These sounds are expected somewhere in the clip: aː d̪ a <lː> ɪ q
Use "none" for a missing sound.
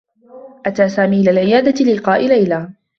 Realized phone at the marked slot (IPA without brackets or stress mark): l